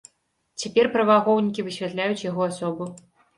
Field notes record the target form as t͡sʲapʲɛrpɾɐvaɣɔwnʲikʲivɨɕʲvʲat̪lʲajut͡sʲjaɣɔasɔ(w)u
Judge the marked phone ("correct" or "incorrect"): incorrect